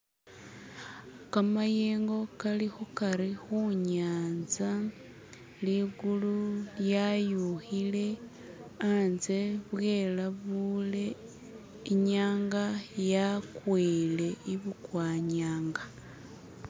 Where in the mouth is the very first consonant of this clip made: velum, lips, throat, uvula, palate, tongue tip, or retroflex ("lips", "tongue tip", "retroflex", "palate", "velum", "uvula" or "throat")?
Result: velum